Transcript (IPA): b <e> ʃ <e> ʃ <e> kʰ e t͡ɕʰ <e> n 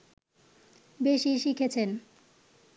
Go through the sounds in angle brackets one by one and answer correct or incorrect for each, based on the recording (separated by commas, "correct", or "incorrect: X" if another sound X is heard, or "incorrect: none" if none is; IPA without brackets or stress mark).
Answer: correct, incorrect: i, incorrect: i, correct